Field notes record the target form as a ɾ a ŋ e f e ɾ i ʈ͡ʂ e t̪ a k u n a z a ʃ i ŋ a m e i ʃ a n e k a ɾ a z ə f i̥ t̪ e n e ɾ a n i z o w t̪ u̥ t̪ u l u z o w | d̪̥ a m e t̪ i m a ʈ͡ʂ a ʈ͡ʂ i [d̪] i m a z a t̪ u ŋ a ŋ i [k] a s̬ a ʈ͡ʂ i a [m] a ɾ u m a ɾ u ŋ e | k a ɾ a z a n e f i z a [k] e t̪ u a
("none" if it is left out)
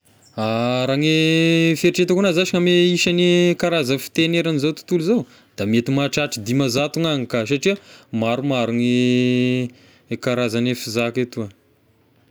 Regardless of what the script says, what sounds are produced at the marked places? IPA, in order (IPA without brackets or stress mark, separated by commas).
d̪, k, m, k